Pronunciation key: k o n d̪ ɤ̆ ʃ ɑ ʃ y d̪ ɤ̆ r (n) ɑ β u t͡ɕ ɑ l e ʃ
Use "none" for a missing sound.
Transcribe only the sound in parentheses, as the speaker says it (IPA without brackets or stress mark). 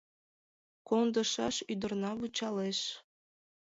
n